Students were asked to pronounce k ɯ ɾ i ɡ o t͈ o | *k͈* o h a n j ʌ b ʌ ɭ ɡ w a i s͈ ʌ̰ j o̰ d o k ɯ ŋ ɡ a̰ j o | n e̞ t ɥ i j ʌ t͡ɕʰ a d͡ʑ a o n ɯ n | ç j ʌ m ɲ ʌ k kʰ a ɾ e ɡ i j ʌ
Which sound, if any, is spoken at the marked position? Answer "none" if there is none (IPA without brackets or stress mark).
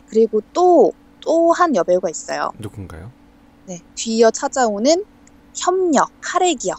t͈